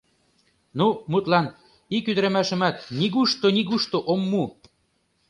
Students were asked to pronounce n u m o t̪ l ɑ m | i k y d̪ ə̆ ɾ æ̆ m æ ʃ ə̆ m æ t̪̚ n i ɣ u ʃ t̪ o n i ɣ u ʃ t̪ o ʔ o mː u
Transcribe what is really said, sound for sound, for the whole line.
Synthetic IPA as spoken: n u m u t̪ l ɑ n | i k y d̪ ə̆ ɾ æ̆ m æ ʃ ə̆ m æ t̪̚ n i ɣ u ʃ t̪ o n i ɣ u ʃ t̪ o ʔ o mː u